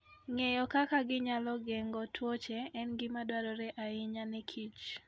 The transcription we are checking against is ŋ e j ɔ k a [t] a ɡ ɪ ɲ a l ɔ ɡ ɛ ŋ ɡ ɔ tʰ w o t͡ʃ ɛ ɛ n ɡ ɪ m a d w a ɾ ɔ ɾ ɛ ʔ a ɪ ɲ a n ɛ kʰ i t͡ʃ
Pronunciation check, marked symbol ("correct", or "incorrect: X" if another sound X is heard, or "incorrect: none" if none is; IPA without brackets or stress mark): incorrect: k